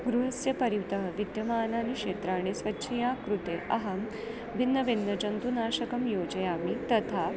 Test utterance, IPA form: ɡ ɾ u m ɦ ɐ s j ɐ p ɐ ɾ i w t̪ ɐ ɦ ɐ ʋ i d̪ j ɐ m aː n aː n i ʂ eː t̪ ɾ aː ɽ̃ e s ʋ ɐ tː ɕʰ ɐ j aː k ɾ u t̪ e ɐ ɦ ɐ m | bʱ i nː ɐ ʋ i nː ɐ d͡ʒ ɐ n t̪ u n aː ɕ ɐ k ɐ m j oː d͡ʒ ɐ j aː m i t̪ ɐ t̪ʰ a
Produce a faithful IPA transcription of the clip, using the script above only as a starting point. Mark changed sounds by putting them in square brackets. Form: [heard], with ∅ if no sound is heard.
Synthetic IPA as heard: ɡ ɾ u [∅] ɦ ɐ s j ɐ p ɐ ɾ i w t̪ ɐ ɦ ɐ ʋ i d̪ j ɐ m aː n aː n i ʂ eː t̪ ɾ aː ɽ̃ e s ʋ ɐ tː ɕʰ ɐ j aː k ɾ u t̪ e ɐ ɦ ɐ m | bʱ i nː ɐ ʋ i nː ɐ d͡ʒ ɐ n t̪ u n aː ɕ ɐ k ɐ m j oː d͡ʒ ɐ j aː m i t̪ ɐ t̪ʰ a